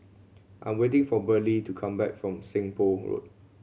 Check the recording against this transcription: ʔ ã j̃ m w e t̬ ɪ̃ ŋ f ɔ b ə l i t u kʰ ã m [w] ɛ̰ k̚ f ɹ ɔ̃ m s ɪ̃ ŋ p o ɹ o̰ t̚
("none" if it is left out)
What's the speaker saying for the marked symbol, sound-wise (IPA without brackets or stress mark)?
b